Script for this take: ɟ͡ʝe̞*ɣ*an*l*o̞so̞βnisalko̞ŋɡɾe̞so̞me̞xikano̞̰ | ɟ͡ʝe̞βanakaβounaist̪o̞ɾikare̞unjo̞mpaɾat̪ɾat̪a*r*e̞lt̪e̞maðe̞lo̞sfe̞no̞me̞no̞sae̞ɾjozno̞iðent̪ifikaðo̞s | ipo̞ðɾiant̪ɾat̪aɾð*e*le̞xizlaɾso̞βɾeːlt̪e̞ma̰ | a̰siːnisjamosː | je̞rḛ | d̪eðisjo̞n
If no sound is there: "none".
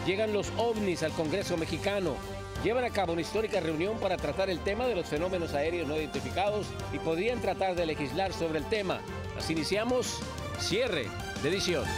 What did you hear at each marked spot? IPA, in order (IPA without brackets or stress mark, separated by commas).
ɣ, l, ɾ, e